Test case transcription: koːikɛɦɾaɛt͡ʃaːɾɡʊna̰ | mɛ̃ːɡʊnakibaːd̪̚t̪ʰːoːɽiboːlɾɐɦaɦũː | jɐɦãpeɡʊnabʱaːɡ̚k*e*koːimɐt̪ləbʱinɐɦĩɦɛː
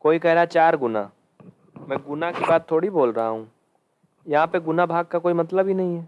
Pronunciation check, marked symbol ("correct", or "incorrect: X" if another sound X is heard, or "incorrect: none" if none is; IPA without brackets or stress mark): incorrect: a